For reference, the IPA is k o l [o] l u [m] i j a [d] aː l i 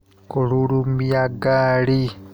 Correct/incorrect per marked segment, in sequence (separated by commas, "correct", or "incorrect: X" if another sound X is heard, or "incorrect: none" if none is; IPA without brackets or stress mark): incorrect: u, correct, incorrect: ɡ